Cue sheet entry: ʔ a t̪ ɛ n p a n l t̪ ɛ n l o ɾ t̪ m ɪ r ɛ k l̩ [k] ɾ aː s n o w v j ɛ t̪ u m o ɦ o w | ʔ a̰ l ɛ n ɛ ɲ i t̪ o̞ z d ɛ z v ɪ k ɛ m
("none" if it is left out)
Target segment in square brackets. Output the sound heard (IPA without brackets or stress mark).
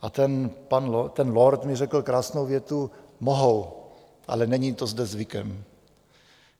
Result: k